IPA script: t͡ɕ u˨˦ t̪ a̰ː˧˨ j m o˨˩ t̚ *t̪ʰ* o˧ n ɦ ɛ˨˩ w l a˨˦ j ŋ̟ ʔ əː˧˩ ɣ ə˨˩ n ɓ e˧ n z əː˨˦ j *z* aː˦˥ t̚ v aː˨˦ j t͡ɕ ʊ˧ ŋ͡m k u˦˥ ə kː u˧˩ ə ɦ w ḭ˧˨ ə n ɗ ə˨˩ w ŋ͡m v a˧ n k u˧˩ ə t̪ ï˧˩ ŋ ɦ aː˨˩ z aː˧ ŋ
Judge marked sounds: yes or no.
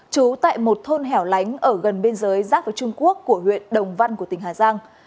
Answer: yes, yes

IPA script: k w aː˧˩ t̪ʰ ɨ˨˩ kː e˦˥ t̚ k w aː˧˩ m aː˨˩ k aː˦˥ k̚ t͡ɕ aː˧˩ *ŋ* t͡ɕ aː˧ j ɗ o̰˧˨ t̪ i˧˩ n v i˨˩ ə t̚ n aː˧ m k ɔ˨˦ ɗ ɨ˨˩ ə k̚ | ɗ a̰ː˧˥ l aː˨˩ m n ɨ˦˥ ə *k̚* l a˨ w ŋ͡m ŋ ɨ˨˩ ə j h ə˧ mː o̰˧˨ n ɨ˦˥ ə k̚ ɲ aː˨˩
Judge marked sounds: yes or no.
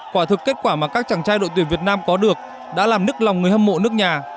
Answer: yes, yes

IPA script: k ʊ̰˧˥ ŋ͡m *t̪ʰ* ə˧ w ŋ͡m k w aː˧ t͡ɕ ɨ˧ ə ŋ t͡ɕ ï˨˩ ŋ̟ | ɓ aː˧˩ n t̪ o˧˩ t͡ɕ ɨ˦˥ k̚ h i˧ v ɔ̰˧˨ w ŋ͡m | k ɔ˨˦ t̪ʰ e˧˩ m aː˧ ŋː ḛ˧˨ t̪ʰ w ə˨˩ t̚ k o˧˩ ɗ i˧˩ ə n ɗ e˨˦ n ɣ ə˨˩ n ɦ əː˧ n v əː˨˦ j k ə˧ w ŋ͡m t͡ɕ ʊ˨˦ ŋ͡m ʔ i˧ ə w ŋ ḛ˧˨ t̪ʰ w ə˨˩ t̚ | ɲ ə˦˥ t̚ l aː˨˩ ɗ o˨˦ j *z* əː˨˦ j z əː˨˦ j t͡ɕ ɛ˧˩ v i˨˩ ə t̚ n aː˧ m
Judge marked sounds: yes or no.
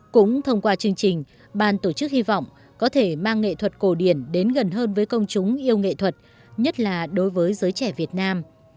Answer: yes, no

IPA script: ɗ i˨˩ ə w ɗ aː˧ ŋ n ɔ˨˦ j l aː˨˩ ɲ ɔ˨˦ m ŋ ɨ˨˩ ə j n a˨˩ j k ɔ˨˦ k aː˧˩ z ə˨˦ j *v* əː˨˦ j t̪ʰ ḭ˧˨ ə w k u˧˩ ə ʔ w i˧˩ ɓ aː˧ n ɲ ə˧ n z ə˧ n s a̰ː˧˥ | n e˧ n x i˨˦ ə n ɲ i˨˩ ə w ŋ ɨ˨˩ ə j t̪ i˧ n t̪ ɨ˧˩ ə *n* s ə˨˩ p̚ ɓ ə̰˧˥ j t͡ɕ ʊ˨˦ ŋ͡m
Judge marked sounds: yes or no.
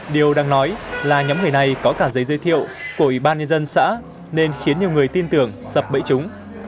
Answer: no, no

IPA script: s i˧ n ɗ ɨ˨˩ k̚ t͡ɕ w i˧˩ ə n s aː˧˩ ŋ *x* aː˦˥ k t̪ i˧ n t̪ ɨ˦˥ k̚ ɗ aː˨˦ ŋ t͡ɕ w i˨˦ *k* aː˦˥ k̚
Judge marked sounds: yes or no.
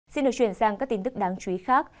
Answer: no, no

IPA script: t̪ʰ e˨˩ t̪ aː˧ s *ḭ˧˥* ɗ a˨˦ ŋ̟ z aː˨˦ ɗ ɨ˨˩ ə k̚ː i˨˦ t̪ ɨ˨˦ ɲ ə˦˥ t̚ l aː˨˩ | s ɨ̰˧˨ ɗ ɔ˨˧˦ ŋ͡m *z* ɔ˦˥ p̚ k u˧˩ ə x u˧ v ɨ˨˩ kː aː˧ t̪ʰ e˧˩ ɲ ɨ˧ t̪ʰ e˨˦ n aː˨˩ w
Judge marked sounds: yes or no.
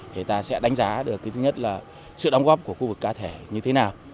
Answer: no, no

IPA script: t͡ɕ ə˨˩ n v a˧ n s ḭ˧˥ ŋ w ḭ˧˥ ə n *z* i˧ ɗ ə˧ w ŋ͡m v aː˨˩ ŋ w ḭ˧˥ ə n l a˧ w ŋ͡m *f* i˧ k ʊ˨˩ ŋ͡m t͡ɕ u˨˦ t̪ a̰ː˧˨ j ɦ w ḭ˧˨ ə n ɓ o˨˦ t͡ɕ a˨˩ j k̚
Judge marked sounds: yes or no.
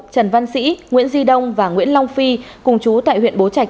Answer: yes, yes

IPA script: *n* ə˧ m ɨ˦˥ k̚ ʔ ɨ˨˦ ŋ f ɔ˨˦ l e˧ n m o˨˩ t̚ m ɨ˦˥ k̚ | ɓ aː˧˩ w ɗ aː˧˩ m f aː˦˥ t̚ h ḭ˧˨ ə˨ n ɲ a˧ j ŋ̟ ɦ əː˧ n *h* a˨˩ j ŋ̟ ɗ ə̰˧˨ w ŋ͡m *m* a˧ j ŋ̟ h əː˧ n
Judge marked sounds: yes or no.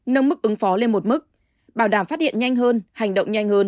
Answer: yes, yes, no

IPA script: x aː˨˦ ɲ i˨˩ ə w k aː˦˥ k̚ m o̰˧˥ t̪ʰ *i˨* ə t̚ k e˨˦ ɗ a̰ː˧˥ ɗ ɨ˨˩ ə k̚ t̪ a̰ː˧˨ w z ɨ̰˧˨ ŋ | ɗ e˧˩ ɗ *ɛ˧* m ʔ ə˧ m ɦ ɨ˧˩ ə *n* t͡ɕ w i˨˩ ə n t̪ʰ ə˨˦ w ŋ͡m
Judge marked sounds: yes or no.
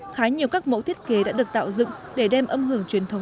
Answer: no, yes, no

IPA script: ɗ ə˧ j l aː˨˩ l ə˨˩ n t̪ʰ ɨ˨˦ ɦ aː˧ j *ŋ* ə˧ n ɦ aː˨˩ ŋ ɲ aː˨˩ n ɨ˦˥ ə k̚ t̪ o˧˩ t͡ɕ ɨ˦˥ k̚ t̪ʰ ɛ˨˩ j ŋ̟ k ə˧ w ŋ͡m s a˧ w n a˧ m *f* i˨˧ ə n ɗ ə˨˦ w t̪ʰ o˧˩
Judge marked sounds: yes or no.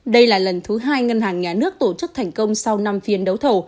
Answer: yes, yes

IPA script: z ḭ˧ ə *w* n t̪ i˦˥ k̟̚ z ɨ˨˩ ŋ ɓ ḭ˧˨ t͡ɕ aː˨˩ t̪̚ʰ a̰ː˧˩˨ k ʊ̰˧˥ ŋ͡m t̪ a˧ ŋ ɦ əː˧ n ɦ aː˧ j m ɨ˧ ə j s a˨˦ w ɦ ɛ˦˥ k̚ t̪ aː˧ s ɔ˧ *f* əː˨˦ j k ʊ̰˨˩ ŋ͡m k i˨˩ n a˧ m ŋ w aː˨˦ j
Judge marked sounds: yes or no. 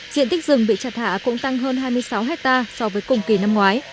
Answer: no, no

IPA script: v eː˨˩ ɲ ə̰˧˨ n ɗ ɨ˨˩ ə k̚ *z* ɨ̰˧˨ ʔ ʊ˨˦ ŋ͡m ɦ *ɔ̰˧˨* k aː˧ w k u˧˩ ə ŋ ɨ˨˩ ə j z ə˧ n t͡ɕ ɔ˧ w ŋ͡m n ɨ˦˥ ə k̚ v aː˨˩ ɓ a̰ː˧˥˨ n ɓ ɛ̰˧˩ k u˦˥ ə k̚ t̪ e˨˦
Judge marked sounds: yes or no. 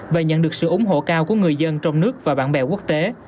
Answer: no, no

